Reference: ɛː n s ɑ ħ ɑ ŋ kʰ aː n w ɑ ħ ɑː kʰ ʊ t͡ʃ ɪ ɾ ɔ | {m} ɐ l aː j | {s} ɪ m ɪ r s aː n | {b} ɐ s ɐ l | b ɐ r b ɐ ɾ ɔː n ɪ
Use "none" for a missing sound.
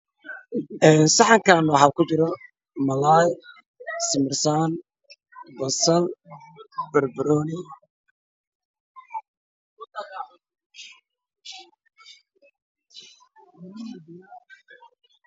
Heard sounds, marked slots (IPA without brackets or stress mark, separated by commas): m, s, b